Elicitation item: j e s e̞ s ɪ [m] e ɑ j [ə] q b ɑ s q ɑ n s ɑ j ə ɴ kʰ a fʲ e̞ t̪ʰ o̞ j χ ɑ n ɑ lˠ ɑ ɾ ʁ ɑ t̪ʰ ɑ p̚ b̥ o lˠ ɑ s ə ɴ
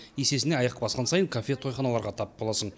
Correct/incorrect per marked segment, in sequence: incorrect: n, incorrect: ɑ

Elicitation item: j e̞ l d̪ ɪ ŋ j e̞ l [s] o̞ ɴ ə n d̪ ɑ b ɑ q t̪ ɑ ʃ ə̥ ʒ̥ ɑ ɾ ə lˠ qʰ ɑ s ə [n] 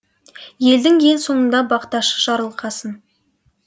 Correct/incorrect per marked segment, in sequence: correct, correct

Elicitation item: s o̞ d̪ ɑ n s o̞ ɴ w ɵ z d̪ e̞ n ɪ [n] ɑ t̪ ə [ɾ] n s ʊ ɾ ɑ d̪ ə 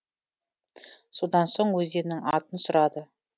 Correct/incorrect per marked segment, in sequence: incorrect: ŋ, incorrect: none

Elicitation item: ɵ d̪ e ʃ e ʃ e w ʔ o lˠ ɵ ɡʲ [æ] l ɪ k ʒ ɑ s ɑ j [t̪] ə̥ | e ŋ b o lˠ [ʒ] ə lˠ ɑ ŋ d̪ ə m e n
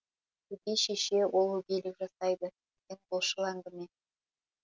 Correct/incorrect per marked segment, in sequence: incorrect: e, incorrect: d̪, incorrect: ʃ

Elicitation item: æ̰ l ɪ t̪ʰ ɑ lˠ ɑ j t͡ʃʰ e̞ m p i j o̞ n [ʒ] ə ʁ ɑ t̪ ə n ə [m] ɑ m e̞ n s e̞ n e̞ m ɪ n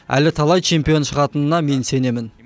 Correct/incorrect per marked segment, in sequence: incorrect: ʃ, incorrect: n

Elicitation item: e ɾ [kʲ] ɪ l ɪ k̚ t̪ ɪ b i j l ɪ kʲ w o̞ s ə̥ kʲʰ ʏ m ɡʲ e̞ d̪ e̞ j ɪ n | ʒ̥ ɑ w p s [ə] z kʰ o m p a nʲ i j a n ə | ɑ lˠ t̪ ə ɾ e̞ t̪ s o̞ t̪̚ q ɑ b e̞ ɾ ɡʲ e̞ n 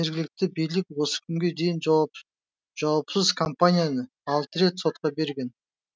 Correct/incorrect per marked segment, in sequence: incorrect: ɡʲ, correct

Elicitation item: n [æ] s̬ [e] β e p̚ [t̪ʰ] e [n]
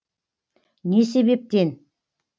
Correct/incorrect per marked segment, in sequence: incorrect: e, correct, incorrect: t̪, correct

